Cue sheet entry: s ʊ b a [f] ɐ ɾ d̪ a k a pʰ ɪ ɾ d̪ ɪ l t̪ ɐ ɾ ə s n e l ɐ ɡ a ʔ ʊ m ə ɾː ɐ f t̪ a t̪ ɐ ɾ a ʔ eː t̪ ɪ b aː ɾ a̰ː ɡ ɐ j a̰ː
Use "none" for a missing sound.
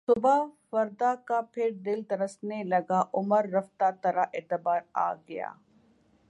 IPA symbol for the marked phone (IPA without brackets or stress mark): f